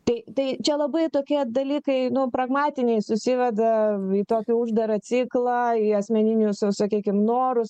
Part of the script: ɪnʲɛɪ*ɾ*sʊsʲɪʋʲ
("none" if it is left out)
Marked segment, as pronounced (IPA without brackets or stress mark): none